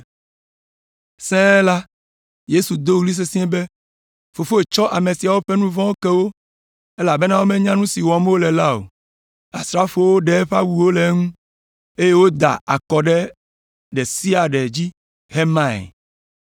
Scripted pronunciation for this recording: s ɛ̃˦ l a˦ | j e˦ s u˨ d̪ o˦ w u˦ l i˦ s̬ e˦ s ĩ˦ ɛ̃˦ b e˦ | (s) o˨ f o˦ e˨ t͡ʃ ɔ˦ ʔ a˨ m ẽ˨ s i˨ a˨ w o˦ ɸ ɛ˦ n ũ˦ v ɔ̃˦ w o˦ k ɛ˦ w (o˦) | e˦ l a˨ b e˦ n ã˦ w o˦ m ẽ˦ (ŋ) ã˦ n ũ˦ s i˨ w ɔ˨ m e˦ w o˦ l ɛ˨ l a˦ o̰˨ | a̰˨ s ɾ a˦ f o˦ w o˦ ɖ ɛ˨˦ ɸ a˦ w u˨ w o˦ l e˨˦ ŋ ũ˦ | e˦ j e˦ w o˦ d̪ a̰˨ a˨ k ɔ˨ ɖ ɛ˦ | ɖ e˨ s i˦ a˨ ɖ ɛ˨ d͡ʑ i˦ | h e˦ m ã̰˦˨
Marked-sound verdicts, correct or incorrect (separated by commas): incorrect, correct, incorrect